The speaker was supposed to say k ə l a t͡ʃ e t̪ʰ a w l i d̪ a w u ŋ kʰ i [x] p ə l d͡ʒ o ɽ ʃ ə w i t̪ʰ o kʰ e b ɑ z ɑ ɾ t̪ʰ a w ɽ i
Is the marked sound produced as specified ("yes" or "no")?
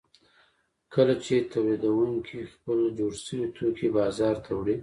yes